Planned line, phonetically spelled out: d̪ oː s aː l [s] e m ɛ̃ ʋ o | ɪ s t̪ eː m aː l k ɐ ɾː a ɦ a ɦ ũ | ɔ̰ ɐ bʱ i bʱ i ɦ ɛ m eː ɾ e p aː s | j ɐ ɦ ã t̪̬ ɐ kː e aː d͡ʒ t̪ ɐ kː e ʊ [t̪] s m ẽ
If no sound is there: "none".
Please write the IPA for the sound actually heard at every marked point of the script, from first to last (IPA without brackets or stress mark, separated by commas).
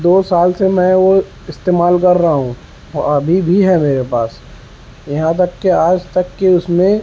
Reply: s, none